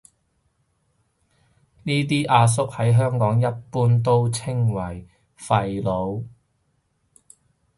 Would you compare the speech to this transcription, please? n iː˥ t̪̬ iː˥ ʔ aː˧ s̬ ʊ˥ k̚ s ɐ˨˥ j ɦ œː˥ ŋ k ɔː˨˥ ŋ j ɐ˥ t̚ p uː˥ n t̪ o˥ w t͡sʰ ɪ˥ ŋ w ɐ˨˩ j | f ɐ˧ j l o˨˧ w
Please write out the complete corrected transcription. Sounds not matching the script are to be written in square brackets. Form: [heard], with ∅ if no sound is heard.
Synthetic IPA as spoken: n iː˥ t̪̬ iː˥ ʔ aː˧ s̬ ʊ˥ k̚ [h] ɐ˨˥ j ɦ œː˥ ŋ k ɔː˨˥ ŋ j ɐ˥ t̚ p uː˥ n t̪ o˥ w t͡sʰ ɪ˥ ŋ w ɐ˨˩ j | f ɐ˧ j l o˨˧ w